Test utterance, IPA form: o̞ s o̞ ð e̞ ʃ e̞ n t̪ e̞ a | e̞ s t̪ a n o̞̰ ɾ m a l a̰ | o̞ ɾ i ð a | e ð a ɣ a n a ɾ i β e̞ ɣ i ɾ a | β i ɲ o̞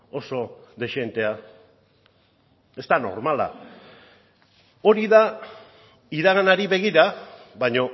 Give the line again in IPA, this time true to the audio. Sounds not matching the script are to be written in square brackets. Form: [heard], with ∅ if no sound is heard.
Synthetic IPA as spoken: o̞ s o̞ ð e̞ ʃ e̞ n t̪ e̞ a | e̞ s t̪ a n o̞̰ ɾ m a l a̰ | o̞ ɾ i ð a | [i] ð a ɣ a n a ɾ i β e̞ ɣ i ɾ a | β [a] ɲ o̞